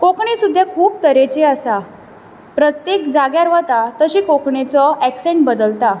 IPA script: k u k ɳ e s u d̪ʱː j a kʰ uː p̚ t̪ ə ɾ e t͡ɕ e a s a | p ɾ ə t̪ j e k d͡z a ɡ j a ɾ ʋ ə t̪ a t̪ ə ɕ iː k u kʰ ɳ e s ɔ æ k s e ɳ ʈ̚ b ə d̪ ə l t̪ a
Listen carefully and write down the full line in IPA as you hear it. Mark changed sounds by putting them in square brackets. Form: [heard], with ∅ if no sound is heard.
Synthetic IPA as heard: k [o] k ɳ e s u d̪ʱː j a kʰ uː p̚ t̪ ə ɾ e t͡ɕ e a s a | p ɾ ə t̪ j e k d͡z a ɡ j a ɾ ʋ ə t̪ a t̪ ə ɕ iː k [o] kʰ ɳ e [t͡s] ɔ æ k s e ɳ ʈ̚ b ə d̪ ə l t̪ a